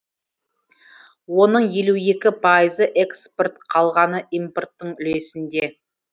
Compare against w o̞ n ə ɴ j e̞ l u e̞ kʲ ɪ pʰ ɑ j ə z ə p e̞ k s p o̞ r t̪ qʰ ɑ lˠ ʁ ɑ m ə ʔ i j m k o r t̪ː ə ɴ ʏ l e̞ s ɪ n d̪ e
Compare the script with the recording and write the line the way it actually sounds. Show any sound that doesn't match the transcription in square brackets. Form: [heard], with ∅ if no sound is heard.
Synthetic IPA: w o̞ n ə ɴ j e̞ l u e̞ kʲ ɪ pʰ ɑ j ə z ə [ʔ] e̞ k s p o̞ r t̪ qʰ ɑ lˠ ʁ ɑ [n] ə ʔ i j m [p] o r t̪ː ə ɴ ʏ l e̞ s ɪ n d̪ e